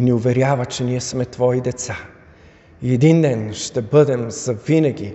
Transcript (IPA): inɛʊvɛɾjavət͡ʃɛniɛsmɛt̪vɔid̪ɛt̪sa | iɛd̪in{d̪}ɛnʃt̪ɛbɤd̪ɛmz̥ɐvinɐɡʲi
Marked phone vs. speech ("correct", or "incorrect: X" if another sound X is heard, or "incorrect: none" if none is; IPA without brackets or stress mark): correct